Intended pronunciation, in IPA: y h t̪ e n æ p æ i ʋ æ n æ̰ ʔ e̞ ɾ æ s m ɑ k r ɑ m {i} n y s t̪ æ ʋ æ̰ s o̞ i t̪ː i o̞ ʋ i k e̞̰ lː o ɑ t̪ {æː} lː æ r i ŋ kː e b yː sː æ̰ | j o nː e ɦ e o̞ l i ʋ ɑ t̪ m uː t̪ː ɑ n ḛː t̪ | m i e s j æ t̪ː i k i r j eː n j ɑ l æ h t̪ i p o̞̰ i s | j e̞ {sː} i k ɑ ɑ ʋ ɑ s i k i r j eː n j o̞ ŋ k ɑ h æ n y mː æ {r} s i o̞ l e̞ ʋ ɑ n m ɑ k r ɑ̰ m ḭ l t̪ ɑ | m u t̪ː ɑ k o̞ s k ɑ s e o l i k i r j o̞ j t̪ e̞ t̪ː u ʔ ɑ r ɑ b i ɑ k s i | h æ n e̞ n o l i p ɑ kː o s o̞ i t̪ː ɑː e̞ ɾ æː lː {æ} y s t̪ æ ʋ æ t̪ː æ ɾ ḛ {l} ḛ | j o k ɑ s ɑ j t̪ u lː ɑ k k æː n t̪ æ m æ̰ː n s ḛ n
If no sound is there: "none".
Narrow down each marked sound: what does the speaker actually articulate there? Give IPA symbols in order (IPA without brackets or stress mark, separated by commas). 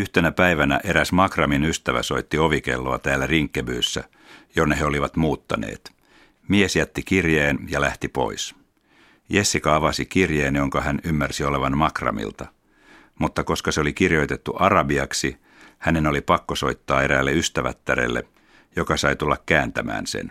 i, æː, sː, r, e, lː